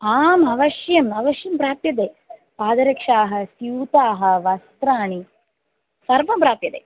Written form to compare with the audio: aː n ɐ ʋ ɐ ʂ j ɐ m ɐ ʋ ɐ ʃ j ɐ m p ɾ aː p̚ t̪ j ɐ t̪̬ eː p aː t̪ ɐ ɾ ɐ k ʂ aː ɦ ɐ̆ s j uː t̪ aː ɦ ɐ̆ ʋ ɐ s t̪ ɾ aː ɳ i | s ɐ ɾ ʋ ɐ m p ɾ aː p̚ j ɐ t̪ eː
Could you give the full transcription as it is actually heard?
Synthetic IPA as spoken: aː m ɐ ʋ ɐ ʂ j ɐ m ɐ ʋ ɐ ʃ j ɐ m p ɾ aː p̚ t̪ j ɐ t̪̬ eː p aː d̪ ɐ ɾ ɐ k ʂ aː ɦ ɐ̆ s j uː t̪ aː ɦ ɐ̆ ʋ ɐ s t̪ ɾ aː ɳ i | s ɐ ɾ ʋ ɐ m p ɾ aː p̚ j ɐ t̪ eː